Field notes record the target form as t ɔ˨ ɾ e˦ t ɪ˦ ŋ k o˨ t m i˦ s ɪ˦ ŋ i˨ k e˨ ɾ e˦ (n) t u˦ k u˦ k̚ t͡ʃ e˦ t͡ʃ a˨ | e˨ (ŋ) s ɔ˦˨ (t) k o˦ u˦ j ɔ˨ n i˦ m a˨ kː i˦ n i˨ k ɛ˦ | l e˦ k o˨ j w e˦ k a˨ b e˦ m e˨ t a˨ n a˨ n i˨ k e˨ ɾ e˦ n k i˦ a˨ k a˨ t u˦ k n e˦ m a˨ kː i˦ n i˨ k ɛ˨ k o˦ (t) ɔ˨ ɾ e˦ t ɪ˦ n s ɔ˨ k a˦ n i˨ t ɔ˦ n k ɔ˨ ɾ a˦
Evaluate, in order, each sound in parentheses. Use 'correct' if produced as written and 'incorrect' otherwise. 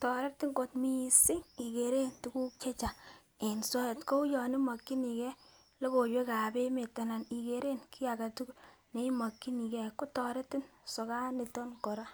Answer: correct, incorrect, correct, correct

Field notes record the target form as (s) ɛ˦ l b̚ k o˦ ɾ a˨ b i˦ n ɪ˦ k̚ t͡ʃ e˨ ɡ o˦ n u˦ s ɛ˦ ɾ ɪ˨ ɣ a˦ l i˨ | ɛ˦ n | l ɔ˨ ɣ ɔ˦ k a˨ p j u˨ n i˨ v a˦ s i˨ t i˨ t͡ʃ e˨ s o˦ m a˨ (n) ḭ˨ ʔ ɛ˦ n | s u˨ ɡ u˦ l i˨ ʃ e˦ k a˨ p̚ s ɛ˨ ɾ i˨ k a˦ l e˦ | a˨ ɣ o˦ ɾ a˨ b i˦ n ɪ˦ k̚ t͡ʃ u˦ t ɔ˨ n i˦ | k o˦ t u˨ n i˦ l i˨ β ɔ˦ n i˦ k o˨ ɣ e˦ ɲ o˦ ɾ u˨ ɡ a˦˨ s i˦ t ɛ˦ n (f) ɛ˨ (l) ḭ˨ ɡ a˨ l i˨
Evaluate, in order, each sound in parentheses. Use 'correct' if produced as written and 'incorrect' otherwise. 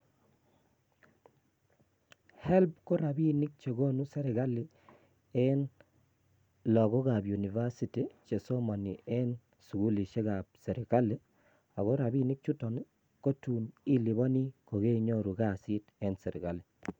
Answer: incorrect, correct, incorrect, incorrect

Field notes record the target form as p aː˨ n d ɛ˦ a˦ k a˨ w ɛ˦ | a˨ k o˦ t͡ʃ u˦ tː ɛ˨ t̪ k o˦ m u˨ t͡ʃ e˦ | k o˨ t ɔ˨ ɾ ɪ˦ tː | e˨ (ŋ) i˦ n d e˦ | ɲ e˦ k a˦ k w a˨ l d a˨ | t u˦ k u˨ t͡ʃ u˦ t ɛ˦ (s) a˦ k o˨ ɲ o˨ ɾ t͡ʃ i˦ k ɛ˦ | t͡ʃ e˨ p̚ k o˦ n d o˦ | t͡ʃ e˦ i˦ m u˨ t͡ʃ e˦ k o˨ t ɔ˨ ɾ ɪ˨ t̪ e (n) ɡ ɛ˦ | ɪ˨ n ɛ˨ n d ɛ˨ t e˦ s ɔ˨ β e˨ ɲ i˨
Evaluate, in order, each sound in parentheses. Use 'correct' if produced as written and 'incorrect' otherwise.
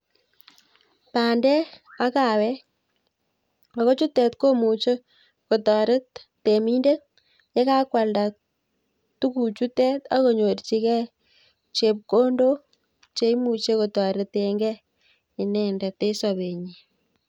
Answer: incorrect, incorrect, incorrect

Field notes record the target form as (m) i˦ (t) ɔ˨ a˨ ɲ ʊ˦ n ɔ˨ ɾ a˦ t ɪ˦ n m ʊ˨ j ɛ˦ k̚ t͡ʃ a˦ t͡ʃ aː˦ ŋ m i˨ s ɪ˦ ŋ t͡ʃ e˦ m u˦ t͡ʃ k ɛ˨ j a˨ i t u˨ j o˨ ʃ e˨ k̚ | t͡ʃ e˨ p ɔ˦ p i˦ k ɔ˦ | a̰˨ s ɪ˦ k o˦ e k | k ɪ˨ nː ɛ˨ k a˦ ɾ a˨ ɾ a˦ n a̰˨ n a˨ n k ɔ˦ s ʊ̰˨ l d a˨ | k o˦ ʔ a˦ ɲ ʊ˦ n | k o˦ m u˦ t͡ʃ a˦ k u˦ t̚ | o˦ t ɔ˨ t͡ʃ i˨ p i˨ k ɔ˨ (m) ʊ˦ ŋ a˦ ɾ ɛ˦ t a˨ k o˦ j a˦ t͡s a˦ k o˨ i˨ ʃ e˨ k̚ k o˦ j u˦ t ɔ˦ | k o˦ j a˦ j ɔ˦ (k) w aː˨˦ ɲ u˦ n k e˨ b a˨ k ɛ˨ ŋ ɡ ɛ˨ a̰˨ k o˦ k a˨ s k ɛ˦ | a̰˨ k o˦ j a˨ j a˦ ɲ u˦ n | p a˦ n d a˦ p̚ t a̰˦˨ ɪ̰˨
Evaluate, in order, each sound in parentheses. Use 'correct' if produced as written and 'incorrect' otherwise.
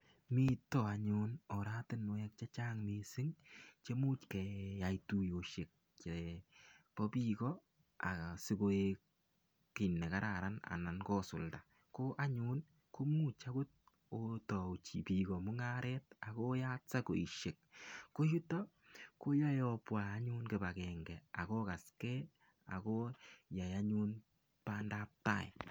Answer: correct, correct, correct, incorrect

